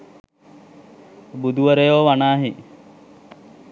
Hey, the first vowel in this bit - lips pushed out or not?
yes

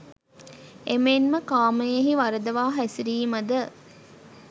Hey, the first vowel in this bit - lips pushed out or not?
no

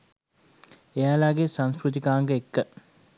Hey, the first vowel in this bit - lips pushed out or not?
no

